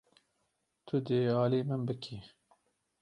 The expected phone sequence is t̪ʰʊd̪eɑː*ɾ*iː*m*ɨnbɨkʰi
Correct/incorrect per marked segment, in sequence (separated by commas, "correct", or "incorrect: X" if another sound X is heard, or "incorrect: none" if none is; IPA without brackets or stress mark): incorrect: l, correct